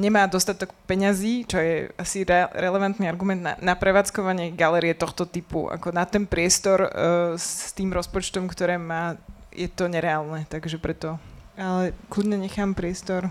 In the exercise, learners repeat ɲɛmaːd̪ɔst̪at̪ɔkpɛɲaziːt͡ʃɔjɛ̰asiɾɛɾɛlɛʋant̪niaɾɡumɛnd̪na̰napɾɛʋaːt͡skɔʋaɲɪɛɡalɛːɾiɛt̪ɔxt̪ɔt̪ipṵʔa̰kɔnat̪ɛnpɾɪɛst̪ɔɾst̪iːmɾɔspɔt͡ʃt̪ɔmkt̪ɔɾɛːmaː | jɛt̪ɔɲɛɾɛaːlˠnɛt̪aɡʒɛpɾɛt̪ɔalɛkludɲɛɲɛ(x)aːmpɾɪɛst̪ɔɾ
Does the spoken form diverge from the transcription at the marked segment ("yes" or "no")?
no